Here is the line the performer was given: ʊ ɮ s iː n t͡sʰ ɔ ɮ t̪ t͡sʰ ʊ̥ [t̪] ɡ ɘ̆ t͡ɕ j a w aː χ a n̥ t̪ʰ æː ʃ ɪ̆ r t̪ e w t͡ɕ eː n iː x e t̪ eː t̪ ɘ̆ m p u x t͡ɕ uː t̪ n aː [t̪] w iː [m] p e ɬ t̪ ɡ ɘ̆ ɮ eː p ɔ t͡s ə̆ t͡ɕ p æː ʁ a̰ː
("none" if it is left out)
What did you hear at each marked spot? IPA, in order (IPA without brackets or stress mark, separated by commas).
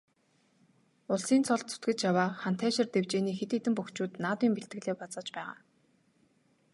t̪, t̪, m